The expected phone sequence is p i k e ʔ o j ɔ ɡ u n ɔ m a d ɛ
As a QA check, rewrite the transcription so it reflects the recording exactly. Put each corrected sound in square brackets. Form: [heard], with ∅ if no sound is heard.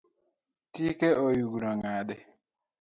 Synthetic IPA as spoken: [t] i k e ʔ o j [u] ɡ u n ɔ [ŋ] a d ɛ

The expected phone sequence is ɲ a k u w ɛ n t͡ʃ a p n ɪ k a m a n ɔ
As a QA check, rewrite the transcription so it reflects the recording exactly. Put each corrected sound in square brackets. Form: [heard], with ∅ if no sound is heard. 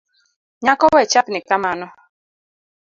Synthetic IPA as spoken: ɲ a k [ɔ] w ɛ [∅] t͡ʃ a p n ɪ k a m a n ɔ

